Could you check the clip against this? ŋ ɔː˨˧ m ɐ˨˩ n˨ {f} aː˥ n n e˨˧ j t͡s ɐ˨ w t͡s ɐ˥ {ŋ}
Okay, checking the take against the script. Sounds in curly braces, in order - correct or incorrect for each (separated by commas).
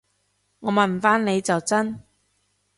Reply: correct, incorrect